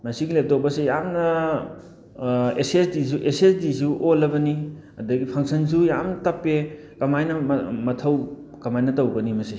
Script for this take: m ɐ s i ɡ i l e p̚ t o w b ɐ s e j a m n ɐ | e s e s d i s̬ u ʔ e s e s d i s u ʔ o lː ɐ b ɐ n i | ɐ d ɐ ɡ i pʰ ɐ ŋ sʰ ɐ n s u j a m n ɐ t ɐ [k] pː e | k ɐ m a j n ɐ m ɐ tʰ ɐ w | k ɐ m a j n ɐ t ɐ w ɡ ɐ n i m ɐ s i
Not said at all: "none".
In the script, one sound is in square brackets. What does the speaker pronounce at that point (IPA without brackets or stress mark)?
none